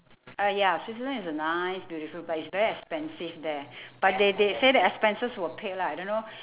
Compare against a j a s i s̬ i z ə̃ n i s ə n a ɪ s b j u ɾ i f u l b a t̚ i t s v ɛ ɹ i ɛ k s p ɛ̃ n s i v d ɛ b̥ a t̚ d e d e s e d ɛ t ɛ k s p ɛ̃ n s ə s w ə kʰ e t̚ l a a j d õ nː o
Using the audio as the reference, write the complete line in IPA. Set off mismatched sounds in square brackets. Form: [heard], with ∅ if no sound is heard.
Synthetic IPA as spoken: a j a s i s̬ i z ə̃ n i s ə n a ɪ s b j u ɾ i f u l b a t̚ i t s v ɛ ɹ i ɛ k s p ɛ̃ n s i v d ɛ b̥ a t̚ d e d e s e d ɛ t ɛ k s p ɛ̃ n s ə s w ə [pʰ] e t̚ l a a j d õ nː o